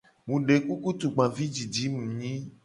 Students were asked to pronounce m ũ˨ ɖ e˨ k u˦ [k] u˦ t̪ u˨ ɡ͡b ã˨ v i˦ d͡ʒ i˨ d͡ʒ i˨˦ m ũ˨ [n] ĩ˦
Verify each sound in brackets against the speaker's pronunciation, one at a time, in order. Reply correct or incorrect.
correct, incorrect: ɲ

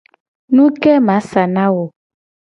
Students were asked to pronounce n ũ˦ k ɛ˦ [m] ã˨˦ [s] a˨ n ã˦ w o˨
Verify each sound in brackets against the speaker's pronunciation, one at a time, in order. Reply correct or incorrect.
correct, correct

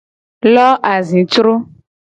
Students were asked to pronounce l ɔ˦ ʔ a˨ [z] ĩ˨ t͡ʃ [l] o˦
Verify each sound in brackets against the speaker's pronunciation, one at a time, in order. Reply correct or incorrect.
correct, incorrect: ɾ

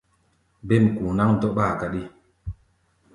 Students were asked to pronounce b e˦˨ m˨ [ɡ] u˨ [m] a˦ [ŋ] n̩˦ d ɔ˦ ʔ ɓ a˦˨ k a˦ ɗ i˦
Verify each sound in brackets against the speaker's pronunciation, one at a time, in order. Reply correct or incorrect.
incorrect: k, incorrect: n, correct

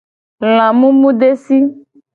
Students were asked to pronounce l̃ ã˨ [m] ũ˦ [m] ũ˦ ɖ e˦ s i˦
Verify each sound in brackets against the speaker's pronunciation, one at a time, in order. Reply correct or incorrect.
correct, correct

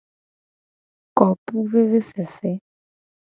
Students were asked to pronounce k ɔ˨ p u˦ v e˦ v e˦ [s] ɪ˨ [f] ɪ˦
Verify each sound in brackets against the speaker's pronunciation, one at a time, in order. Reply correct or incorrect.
correct, incorrect: s

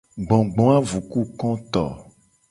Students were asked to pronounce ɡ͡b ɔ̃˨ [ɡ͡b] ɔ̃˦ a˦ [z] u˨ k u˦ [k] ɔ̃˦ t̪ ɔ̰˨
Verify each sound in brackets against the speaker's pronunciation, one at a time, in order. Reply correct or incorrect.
correct, incorrect: v, correct

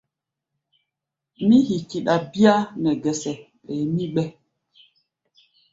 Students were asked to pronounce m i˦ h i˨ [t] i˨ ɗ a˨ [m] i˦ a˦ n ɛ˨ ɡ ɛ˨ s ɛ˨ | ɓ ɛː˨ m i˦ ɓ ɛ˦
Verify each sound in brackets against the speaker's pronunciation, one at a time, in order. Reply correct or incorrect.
incorrect: k, incorrect: b

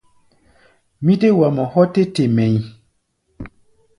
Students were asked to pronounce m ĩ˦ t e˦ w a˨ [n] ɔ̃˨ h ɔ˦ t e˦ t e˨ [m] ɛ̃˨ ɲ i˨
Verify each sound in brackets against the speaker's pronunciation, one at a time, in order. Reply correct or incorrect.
incorrect: m, correct

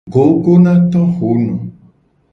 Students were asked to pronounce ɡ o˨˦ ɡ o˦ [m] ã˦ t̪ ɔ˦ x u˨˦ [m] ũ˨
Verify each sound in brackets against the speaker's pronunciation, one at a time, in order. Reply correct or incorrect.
incorrect: n, incorrect: n

